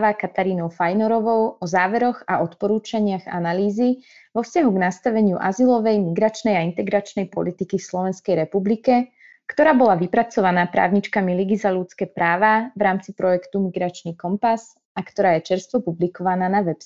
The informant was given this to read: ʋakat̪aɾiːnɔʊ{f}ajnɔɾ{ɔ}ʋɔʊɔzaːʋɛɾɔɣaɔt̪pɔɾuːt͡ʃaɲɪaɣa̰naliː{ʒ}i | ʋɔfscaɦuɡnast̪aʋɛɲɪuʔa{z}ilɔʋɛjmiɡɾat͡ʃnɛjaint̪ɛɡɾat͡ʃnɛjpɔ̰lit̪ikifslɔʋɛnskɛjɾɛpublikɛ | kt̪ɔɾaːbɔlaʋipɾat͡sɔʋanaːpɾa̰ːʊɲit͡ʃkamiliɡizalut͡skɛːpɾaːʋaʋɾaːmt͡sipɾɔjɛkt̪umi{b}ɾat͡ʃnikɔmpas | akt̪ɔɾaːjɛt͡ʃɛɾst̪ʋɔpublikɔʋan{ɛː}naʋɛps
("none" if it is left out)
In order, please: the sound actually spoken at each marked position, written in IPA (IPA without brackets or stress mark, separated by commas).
f, ɔ, z, z, ɡ, aː